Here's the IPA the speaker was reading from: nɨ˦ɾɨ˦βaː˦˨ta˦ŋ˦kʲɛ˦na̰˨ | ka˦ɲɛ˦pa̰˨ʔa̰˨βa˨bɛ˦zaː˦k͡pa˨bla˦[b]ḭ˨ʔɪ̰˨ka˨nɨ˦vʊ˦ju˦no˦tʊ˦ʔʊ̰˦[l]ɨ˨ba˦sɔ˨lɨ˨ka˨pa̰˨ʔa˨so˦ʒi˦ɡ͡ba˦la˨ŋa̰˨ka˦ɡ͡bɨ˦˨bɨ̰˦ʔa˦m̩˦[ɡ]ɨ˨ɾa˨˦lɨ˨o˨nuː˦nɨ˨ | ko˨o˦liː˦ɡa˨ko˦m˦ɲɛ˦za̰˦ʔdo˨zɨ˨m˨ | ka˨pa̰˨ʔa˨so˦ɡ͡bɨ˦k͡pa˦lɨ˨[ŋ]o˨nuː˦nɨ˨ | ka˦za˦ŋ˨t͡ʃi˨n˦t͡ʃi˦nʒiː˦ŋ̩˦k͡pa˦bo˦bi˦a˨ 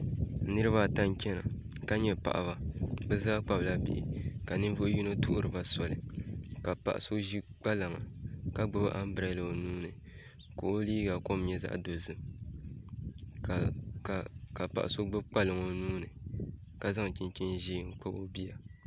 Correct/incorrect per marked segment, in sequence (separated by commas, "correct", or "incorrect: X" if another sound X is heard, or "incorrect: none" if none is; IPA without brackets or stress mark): correct, incorrect: ɾ, incorrect: b, correct